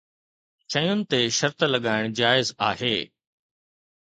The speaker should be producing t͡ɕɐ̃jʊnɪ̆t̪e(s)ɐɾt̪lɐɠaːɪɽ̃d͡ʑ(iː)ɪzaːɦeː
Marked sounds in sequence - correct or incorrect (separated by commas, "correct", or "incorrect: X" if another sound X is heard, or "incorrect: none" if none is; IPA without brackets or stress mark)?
incorrect: ʃ, incorrect: aː